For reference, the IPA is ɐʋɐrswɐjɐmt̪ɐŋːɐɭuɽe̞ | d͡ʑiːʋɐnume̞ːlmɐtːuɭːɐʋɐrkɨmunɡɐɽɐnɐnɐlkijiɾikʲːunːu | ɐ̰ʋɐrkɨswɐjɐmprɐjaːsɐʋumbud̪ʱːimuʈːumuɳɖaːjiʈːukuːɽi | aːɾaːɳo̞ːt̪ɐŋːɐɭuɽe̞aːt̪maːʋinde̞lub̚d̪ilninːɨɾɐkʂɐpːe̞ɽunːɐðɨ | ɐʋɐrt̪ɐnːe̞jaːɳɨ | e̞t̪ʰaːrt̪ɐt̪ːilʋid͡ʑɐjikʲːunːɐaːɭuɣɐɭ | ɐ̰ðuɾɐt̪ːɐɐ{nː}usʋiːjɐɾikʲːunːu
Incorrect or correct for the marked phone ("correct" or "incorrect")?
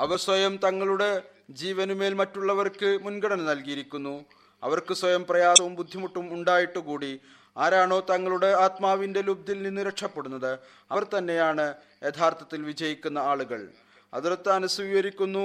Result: incorrect